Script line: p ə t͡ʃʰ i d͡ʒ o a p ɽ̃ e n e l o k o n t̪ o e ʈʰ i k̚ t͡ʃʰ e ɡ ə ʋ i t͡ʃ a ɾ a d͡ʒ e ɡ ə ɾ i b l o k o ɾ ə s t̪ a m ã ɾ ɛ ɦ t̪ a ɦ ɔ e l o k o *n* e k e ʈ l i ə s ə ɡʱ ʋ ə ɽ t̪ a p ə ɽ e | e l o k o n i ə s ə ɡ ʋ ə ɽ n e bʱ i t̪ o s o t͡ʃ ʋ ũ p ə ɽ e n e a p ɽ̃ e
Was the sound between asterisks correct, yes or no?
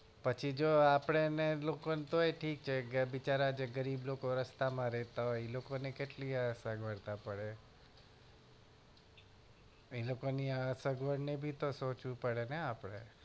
yes